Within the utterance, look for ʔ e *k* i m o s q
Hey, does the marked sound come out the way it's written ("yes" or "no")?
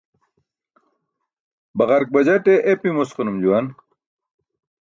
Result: no